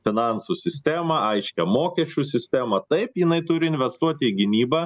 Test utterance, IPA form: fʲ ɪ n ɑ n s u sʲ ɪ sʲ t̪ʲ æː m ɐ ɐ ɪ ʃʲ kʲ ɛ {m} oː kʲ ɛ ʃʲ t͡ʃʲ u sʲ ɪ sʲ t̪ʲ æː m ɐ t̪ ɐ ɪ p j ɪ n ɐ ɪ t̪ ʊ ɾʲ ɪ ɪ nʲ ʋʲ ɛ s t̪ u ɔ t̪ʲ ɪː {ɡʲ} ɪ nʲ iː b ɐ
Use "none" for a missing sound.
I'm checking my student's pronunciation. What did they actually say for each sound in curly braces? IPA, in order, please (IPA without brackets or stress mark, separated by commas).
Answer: m, ɡʲ